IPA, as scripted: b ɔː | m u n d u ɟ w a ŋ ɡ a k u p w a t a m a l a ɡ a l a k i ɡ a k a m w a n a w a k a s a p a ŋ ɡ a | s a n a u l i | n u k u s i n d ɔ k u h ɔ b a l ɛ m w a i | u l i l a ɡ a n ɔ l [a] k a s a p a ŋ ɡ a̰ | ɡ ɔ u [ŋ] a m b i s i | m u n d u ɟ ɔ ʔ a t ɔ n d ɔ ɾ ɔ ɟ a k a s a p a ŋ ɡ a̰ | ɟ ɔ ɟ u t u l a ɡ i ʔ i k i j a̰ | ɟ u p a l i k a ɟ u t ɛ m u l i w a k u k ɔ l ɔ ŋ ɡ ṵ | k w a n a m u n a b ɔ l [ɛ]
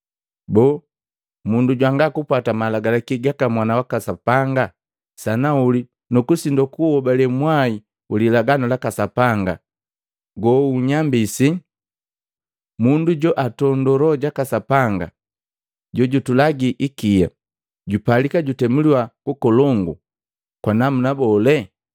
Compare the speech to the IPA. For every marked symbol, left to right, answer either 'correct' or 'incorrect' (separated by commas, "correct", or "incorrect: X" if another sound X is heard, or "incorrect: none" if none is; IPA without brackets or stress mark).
correct, incorrect: ɲ, correct